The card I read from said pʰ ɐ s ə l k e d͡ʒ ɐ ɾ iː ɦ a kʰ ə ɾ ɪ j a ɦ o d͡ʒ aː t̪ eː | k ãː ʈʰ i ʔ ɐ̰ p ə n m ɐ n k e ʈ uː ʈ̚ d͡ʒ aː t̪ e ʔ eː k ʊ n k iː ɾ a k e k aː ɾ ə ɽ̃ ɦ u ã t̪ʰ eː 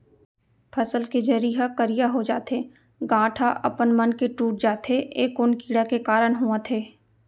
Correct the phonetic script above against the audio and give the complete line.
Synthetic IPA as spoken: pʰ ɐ s ə l k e d͡ʒ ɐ ɾ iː ɦ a k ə ɾ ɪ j a ɦ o d͡ʒ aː t̪ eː | ɡ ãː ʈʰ a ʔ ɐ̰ p ə n m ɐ n k e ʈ uː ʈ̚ d͡ʒ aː t̪ e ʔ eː k ʊ n k iː ɽ a k e k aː ɾ ə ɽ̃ ɦ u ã t̪ʰ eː